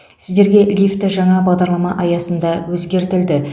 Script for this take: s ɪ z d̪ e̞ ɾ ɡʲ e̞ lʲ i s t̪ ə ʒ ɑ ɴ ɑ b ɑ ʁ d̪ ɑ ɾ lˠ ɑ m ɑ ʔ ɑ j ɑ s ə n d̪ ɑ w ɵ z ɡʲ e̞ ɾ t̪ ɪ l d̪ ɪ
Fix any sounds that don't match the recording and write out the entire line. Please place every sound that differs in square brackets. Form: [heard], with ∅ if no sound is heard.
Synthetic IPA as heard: s ɪ z d̪ e̞ ɾ ɡʲ e̞ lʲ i [f] t̪ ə ʒ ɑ ɴ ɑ b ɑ ʁ d̪ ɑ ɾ lˠ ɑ m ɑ ʔ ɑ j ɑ s ə n d̪ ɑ w ɵ z ɡʲ e̞ ɾ t̪ ɪ l d̪ ɪ